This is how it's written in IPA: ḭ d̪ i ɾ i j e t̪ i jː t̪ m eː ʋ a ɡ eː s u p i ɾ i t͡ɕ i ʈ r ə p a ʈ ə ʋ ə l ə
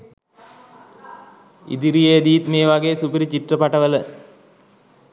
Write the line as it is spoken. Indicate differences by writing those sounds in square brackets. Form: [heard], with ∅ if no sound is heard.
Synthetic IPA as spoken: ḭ d̪ i ɾ i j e [d̪] i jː t̪ m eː ʋ a ɡ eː s u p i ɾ i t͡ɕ i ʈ r ə p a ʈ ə ʋ ə l ə